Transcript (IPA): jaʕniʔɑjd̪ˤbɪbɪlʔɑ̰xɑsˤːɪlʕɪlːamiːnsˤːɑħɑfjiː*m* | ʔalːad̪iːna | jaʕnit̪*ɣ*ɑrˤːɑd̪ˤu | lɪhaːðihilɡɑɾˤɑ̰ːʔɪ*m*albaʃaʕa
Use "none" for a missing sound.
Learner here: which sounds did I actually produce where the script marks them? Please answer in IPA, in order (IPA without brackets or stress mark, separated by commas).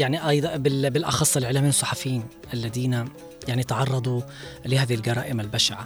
n, ʕ, m